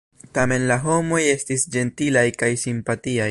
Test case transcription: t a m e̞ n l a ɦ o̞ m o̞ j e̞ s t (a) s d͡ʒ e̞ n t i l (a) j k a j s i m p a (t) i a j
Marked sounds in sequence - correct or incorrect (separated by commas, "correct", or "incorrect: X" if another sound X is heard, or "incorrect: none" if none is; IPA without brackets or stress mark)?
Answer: incorrect: i, correct, correct